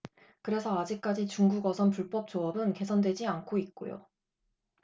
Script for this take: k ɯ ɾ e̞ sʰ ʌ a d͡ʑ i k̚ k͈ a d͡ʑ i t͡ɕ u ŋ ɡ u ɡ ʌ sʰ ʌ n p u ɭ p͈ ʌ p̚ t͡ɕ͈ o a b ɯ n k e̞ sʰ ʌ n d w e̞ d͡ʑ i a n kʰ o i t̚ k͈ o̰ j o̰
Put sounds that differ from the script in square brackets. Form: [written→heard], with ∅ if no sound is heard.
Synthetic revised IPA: k ɯ ɾ e̞ sʰ ʌ a d͡ʑ i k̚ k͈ a d͡ʑ i t͡ɕ u ŋ ɡ u ɡ ʌ sʰ ʌ n p u ɭ p͈ ʌ p̚ t͡ɕ͈ o [a→ʌ] b ɯ n k e̞ sʰ ʌ n d w e̞ d͡ʑ i a n kʰ o i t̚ k͈ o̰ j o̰